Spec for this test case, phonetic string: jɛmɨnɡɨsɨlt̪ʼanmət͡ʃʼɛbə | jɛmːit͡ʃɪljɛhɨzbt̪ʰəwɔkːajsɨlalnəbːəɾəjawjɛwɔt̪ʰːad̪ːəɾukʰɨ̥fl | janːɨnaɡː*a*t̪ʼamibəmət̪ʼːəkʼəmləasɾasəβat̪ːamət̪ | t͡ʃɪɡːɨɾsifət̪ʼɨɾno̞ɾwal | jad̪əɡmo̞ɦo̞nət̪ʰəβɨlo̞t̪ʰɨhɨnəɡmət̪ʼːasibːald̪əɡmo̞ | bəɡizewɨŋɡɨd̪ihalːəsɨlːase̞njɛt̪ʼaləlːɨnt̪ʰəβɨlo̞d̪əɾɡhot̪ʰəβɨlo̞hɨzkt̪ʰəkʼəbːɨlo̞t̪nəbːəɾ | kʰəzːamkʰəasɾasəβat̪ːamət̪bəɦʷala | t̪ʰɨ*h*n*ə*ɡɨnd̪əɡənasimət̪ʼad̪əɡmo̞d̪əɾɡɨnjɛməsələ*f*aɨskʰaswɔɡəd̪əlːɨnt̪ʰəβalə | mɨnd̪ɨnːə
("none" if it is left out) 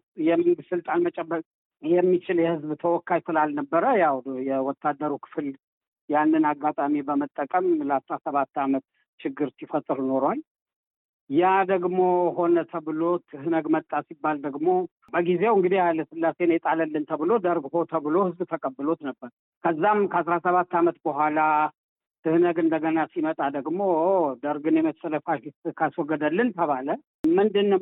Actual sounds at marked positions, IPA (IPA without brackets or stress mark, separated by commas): a, h, ə, f